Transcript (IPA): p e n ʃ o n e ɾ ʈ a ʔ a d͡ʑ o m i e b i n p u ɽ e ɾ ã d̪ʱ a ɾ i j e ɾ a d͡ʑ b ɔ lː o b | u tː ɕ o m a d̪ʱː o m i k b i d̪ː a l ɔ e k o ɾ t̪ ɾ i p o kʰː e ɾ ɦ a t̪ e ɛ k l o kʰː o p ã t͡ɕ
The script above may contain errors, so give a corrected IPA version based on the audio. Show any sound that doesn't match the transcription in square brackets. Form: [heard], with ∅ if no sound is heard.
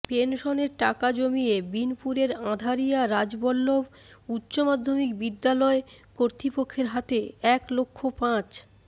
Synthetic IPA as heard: p e n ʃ o n e ɾ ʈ a [k] a d͡ʑ o m i e b i n p u [ɾ] e ɾ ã d̪ʱ a ɾ i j [a] ɾ a d͡ʑ b ɔ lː o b | u tː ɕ o m a d̪ʱː o m i k b i d̪ː a l ɔ e k o ɾ t̪ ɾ i p o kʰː e ɾ ɦ a t̪ e ɛ k l o kʰː o p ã t͡ɕ